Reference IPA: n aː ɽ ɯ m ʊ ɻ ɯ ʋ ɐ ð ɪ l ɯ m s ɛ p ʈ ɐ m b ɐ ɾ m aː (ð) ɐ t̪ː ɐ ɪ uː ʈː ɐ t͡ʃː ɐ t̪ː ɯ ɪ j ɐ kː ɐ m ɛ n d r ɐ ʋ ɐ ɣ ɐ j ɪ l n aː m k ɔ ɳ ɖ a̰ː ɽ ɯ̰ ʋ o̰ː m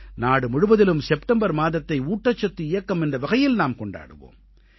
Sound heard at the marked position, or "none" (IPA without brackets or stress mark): ð